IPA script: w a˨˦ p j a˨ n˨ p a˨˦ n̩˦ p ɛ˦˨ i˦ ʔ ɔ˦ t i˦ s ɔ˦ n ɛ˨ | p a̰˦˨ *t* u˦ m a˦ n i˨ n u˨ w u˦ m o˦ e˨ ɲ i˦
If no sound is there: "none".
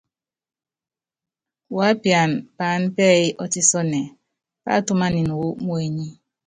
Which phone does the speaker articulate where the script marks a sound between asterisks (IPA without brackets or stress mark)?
t